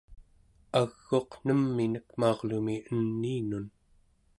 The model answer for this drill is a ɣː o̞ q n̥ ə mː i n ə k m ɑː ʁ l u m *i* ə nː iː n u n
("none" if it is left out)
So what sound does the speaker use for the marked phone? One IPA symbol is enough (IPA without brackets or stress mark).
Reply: i